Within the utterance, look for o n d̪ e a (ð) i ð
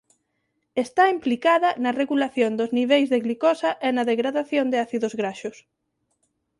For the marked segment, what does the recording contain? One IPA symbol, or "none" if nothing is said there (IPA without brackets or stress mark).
θ